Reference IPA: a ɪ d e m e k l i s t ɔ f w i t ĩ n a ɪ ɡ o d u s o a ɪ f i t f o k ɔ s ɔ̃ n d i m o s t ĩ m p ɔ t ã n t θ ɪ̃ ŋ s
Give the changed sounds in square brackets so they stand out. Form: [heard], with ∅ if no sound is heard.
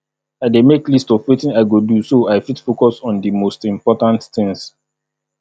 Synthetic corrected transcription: a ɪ d e m e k l i s t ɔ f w i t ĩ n a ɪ ɡ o d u s o a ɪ f i t f o k ɔ s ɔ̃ n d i m o s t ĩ m p ɔ t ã n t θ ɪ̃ ŋ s